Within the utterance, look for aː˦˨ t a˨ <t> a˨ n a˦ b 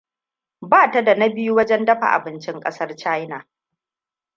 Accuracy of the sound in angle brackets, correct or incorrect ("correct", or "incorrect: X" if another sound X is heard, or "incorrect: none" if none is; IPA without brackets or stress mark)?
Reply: incorrect: d